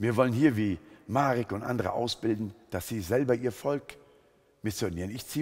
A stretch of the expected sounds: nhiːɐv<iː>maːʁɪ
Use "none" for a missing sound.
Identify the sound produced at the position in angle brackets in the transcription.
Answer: iː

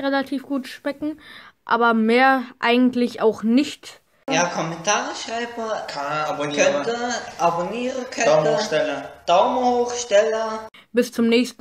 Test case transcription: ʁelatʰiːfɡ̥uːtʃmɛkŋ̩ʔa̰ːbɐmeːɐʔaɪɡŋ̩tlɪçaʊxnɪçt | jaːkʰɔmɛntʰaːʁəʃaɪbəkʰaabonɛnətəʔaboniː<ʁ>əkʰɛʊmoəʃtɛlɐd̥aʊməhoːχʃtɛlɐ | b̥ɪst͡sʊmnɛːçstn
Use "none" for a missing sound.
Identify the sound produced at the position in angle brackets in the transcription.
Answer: ʁ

